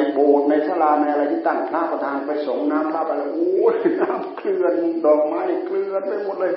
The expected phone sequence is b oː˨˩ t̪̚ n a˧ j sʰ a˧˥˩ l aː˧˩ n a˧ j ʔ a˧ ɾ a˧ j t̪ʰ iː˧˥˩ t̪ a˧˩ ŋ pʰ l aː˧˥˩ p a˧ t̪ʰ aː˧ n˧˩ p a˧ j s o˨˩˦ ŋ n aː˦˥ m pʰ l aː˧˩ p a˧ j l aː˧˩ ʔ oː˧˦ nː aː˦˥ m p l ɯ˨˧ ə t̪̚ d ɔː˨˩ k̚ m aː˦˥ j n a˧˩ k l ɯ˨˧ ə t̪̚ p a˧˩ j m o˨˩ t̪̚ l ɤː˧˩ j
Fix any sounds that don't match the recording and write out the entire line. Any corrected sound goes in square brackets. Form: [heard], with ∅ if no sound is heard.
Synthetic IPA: b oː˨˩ t̪̚ n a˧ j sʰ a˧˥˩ l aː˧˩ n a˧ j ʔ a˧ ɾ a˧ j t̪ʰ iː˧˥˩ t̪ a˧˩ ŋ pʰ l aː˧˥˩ p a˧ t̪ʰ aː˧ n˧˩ p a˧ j s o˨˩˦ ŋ n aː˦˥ m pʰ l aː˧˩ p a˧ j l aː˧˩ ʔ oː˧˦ [n] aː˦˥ m [k] l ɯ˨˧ ə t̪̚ d ɔː˨˩ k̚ m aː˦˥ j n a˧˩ k l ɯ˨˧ ə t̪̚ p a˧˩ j m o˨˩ t̪̚ l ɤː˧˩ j